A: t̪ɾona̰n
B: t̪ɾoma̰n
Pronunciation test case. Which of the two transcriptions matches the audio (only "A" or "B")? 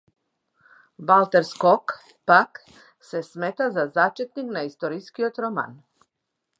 B